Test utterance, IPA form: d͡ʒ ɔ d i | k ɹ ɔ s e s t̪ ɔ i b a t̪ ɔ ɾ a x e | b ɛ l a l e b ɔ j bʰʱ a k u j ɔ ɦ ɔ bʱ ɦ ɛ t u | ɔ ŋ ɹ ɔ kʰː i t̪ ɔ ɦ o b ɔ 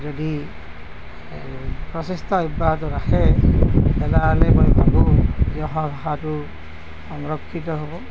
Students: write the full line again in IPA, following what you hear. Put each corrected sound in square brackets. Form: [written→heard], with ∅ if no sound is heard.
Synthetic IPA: d͡ʒ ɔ d i | [k→p] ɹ ɔ s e s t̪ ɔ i b a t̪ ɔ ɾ a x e | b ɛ l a l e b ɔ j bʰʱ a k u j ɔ ɦ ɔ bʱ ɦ [ɛ→a] t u | ɔ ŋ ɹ ɔ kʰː i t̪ ɔ ɦ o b ɔ